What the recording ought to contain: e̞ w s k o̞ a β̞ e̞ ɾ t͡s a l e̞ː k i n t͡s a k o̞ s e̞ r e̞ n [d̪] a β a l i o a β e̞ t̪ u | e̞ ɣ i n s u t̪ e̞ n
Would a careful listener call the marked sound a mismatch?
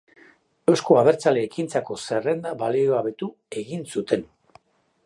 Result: no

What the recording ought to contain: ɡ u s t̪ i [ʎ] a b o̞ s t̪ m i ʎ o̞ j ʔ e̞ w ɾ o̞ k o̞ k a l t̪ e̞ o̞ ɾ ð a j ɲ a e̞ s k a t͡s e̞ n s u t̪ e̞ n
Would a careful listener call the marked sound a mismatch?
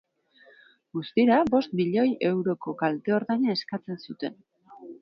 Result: yes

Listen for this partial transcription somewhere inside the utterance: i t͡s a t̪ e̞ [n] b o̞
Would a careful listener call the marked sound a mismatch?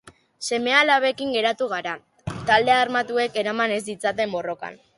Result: yes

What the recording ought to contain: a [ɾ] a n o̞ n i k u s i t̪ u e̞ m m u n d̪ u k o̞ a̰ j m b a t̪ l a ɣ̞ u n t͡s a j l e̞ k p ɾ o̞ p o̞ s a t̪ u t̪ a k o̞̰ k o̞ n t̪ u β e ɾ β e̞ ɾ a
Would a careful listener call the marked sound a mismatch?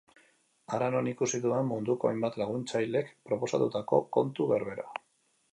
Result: no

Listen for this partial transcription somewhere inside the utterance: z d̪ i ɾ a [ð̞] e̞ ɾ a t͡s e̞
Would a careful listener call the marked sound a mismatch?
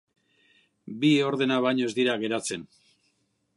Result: yes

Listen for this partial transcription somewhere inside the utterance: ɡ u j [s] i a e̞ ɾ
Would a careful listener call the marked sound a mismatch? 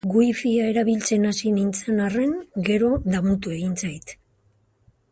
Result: yes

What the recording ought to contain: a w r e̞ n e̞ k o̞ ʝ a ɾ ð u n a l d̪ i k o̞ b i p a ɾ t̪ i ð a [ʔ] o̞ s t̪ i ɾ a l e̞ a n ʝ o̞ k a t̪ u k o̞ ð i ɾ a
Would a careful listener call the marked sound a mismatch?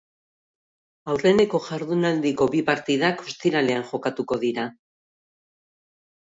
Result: yes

